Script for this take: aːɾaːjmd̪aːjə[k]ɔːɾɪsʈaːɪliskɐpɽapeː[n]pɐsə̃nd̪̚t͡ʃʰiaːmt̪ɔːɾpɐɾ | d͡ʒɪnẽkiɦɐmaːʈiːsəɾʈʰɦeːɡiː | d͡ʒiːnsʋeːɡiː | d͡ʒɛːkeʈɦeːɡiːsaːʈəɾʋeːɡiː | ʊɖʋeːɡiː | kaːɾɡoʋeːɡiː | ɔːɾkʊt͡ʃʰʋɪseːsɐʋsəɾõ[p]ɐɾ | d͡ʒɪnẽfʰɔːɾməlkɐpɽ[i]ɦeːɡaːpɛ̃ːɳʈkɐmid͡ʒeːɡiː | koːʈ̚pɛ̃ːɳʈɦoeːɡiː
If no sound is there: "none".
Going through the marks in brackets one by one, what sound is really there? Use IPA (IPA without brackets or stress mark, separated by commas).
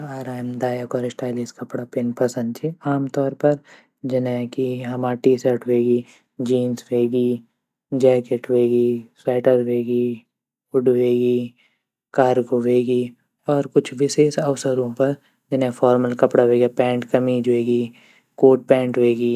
k, n, p, a